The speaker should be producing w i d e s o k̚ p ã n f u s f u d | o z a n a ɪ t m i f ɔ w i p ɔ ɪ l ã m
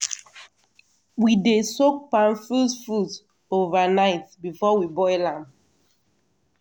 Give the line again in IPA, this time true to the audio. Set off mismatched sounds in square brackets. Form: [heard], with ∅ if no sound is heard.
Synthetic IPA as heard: w i d e s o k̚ p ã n f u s f u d | o [v] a n a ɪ t [b] i f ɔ w i [b] ɔ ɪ l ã m